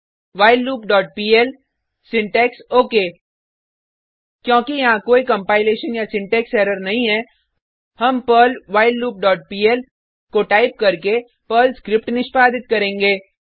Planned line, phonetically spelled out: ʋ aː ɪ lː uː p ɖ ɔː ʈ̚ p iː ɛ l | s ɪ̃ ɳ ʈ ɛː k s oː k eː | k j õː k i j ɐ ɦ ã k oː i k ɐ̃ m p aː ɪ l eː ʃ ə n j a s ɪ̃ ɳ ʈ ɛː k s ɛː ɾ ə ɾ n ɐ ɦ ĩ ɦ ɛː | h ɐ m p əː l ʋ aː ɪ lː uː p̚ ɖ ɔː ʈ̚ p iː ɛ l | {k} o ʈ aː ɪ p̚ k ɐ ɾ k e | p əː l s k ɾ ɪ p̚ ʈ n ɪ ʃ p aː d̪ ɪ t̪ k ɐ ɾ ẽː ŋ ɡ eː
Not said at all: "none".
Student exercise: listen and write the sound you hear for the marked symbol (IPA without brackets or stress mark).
k